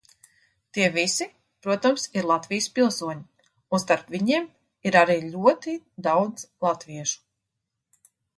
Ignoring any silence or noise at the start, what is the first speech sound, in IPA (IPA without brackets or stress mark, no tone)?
t̪